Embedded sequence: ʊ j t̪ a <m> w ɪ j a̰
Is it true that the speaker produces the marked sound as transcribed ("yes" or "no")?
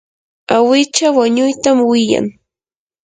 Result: yes